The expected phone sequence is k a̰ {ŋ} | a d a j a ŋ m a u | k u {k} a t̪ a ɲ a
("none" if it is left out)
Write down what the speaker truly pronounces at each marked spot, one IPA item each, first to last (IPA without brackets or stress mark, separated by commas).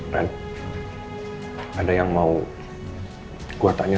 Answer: n, none